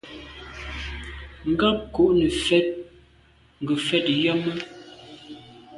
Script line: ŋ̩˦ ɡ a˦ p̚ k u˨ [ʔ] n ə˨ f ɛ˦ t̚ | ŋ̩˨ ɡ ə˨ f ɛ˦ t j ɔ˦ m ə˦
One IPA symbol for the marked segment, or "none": ʔ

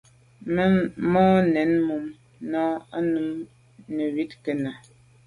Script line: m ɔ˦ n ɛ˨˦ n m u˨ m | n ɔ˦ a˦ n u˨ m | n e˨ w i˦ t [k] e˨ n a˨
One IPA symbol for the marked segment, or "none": k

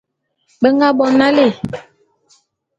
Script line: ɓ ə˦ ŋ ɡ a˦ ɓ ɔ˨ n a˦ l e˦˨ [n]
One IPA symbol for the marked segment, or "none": none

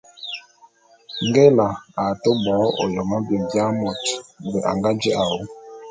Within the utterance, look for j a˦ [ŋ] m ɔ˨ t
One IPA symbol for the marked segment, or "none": none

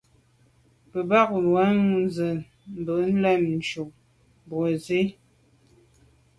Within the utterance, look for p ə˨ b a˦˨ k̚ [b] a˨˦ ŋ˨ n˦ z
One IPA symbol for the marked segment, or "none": w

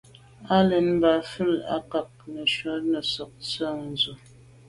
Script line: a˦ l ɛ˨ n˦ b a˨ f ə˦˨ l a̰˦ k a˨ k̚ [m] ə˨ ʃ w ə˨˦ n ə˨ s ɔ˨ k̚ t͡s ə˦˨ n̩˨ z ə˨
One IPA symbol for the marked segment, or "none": n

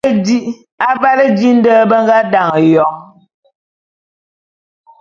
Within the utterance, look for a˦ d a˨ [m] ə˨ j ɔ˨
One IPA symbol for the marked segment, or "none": ŋ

